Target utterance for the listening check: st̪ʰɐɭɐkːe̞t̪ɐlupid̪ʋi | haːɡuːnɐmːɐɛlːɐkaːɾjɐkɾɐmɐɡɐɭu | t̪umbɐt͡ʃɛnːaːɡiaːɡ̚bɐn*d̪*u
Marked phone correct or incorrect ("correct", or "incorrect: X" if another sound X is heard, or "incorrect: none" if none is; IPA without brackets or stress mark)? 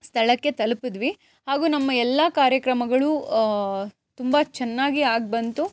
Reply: incorrect: t̪